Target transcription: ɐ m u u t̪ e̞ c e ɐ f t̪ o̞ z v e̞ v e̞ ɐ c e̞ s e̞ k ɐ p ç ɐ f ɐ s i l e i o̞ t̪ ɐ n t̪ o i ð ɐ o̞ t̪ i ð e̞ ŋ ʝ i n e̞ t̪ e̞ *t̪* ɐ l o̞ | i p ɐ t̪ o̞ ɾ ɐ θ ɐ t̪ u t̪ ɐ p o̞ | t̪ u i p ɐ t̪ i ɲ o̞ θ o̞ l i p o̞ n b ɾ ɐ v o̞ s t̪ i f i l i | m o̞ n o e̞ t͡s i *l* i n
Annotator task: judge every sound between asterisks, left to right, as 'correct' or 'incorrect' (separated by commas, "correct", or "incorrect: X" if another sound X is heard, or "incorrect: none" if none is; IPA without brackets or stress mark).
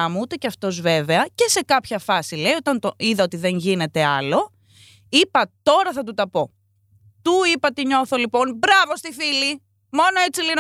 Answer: incorrect: none, correct